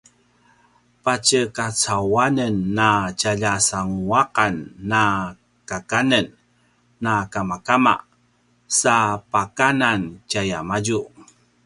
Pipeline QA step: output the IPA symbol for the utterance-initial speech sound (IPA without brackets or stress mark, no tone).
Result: p